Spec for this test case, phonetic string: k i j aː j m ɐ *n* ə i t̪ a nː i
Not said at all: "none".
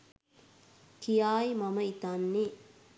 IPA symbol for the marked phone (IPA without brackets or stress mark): m